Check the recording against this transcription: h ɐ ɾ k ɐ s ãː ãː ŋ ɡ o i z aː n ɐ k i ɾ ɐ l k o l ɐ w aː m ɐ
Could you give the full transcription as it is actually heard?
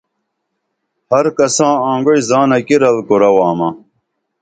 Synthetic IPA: h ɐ ɾ k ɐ s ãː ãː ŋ ɡ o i z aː n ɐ k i ɾ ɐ l k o ɾ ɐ w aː m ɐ